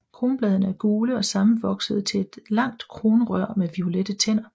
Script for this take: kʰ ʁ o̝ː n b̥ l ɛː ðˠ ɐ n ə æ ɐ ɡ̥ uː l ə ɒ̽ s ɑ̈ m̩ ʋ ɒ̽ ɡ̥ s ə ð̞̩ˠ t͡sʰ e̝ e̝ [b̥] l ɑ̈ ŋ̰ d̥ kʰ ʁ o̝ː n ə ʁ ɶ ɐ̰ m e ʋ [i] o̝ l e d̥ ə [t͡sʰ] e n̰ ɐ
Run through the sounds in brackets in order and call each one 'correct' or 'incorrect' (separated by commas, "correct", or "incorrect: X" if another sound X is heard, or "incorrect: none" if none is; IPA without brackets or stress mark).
incorrect: d̥, correct, correct